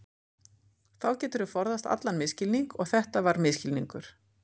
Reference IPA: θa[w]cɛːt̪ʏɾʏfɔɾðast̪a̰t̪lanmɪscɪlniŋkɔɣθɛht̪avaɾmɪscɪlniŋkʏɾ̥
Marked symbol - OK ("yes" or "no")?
yes